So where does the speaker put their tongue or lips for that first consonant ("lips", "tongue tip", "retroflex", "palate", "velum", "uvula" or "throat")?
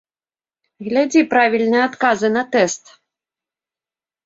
velum